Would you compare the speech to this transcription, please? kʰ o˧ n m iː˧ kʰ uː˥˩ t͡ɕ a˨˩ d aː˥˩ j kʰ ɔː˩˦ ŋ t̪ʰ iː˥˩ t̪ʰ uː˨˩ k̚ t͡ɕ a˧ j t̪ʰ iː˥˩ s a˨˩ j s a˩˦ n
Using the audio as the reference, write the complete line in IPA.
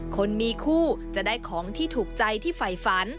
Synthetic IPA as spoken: kʰ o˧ n m iː˧ kʰ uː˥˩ t͡ɕ a˨˩ d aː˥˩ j kʰ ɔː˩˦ ŋ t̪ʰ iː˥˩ t̪ʰ uː˨˩ k̚ t͡ɕ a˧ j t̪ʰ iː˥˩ f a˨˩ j f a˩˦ n